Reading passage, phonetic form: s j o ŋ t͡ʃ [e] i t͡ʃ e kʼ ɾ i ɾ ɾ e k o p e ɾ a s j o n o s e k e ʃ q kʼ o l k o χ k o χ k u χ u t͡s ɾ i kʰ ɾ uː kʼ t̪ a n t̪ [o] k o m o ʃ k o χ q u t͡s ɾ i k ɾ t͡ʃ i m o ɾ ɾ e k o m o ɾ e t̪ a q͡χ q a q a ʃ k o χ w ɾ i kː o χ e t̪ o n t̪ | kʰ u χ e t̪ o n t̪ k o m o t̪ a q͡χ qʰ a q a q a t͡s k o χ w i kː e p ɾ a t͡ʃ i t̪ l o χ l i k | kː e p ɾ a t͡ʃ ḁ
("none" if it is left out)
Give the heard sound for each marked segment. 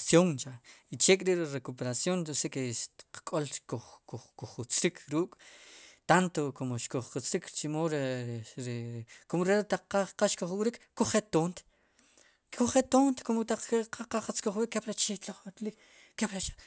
a, o

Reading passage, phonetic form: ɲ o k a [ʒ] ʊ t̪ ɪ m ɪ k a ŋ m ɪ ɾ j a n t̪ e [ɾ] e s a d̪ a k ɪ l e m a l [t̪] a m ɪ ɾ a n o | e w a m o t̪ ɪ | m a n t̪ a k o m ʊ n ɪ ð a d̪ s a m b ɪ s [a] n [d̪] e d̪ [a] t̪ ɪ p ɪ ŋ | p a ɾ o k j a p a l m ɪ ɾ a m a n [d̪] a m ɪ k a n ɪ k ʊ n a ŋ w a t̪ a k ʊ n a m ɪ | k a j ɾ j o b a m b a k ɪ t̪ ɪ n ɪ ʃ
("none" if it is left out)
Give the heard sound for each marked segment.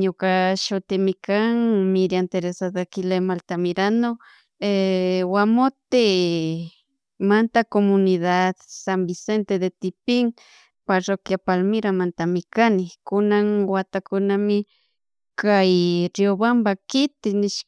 ʃ, ɾ, t̪, e, t̪, e, t̪

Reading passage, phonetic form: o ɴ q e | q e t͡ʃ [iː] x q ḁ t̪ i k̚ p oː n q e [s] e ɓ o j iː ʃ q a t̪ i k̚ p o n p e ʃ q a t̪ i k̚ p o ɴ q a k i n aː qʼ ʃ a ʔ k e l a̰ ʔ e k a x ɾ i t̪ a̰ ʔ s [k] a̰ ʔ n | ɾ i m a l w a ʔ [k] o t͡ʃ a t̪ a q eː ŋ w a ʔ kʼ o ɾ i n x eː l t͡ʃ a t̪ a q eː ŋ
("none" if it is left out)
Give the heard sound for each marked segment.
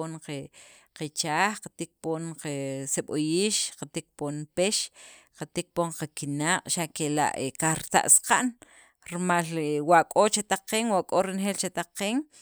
aː, s, q, kʼ

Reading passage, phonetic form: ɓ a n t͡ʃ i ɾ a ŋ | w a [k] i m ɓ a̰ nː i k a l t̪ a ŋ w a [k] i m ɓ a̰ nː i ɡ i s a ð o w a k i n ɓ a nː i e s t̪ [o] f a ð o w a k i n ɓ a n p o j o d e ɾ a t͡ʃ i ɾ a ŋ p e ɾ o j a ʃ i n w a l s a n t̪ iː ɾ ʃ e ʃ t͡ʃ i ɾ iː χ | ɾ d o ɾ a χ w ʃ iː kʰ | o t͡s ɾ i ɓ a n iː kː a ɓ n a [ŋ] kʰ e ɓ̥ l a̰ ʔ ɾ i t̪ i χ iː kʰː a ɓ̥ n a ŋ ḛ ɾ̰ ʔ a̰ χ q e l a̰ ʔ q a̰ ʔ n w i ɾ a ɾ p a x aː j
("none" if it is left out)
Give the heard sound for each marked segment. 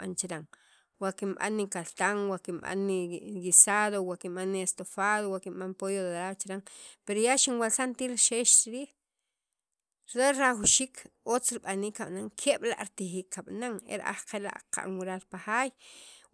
k, k, o, ŋ

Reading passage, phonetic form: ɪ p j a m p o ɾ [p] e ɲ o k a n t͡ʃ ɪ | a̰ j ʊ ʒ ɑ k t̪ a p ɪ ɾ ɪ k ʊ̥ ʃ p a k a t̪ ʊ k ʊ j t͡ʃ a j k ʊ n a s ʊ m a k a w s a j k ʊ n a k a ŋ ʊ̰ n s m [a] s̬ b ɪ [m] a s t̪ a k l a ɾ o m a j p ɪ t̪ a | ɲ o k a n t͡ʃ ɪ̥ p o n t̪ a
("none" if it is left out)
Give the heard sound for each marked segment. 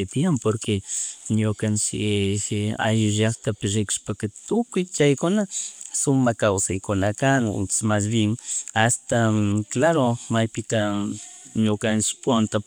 k, a, ŋ

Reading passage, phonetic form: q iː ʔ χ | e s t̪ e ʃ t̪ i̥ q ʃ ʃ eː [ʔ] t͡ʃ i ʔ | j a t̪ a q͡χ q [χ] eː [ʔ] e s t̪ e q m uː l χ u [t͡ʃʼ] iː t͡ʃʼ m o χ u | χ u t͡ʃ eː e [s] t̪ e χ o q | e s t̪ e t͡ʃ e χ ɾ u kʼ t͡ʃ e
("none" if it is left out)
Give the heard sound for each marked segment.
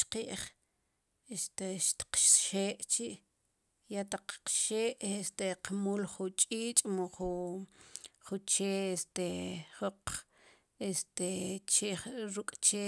ʔ, ʃ, ʔ, t͡ʃʼ, s

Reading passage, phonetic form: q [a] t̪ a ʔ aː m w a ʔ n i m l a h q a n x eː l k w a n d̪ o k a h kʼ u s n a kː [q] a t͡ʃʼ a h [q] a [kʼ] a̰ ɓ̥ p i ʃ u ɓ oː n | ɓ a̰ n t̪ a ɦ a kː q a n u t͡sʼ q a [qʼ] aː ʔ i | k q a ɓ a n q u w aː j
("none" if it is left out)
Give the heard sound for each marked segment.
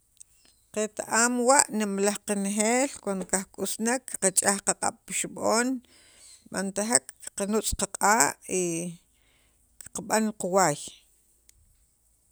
e, q, q, qʼ, qʼ

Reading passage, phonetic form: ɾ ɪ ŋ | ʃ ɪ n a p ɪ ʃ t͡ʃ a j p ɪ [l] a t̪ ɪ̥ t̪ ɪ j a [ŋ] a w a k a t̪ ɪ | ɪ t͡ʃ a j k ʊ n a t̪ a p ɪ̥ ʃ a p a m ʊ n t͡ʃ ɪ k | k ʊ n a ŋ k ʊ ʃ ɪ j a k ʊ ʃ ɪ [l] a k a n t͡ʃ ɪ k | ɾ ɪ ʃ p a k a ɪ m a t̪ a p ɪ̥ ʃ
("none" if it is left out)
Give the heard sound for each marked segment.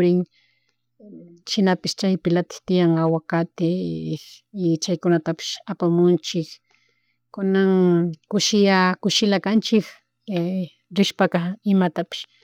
l, ŋ, l

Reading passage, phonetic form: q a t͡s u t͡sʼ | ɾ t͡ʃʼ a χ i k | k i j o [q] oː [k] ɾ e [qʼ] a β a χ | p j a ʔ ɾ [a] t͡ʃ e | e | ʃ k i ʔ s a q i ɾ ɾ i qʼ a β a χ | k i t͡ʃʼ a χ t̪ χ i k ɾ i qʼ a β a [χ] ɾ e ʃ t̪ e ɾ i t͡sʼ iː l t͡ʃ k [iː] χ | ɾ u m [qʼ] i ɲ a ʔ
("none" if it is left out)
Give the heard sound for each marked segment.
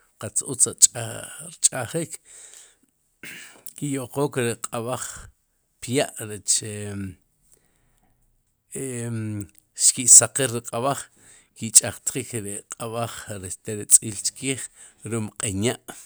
q, k, qʼ, e, χ, iː, qʼ

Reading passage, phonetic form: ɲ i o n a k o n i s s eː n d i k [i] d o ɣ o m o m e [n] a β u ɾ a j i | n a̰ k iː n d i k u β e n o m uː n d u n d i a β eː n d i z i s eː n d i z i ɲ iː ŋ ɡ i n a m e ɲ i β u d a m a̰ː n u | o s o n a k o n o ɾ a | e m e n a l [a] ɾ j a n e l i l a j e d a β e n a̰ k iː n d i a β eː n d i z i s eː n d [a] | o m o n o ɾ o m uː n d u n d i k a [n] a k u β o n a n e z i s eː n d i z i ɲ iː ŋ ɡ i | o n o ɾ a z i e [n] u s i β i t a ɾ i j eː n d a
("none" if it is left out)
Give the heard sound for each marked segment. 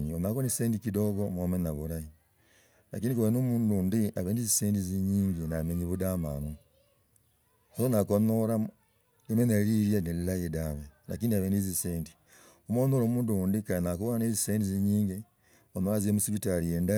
i, n, i, i, n, m

